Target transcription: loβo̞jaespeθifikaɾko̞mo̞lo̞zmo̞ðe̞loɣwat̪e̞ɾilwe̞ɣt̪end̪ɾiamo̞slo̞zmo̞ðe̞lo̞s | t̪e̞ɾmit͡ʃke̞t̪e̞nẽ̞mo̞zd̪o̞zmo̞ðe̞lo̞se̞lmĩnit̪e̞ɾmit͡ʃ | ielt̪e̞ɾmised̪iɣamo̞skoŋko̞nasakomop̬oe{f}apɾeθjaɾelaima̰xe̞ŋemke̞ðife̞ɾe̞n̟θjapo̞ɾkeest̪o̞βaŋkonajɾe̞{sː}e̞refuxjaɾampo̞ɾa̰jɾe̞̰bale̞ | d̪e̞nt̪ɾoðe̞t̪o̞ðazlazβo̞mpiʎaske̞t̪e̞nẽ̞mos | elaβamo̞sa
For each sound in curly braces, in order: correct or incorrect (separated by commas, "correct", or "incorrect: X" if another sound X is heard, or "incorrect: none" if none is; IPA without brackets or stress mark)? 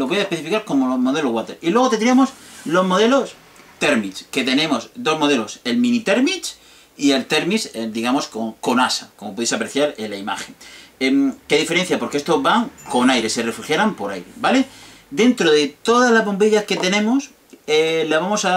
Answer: incorrect: s, incorrect: s